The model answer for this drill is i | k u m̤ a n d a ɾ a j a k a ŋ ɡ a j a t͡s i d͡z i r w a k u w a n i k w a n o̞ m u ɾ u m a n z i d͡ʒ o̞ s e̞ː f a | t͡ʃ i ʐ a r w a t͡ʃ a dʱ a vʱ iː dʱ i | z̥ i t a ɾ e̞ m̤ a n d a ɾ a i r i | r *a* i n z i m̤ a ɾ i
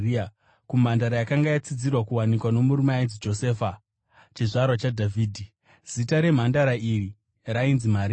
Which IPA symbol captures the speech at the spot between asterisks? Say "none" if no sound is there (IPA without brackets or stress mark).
a